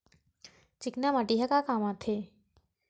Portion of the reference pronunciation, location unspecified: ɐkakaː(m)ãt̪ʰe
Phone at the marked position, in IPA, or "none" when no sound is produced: m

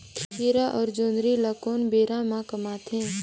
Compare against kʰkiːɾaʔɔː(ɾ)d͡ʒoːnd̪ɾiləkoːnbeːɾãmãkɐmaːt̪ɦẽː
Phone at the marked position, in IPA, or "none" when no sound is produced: ɾ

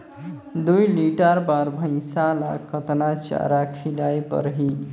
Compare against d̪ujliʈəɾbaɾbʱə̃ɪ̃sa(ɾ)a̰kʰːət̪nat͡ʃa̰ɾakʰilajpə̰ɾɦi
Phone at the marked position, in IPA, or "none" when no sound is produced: l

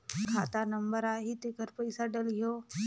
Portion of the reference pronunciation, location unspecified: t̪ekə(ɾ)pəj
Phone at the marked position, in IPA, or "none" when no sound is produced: ɾ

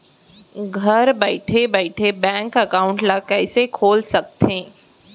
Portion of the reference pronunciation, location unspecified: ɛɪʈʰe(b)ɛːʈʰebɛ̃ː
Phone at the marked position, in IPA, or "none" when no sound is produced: b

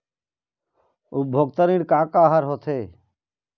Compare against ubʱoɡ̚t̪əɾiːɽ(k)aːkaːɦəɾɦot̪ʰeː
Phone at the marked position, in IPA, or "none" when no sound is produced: k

